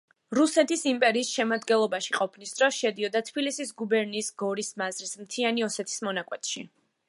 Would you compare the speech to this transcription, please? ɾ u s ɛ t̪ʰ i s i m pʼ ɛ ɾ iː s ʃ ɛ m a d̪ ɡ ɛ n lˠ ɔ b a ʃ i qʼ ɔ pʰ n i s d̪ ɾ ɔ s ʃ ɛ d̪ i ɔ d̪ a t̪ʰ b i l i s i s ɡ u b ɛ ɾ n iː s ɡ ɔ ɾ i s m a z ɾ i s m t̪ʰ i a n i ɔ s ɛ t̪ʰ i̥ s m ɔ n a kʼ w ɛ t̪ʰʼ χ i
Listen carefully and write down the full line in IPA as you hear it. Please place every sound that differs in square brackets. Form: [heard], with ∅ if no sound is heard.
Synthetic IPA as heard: ɾ u s ɛ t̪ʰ i s i m pʼ ɛ ɾ iː s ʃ ɛ m a d̪ ɡ ɛ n lˠ ɔ b a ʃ i qʼ ɔ pʰ n i s d̪ ɾ ɔ s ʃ ɛ d̪ i ɔ d̪ a t̪ʰ b i l i s i s ɡ u b ɛ ɾ n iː s ɡ ɔ ɾ i s m a z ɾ i s m t̪ʰ i a n i ɔ s ɛ t̪ʰ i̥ s m ɔ n a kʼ w ɛ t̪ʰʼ [ʃ] i